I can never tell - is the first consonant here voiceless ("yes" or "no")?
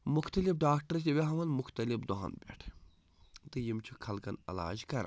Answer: no